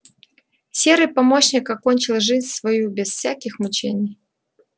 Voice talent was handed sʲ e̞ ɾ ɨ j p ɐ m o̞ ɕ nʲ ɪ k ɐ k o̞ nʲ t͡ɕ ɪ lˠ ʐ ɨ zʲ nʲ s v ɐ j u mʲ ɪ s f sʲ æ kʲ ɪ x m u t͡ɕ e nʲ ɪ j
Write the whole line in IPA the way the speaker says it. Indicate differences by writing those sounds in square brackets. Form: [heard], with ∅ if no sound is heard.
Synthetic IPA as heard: sʲ e̞ ɾ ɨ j p ɐ m o̞ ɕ nʲ ɪ k ɐ k o̞ nʲ t͡ɕ ɪ lˠ ʐ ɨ zʲ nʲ s v ɐ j u [bʲ] ɪ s f sʲ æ kʲ ɪ x m [ʊ] t͡ɕ e nʲ ɪ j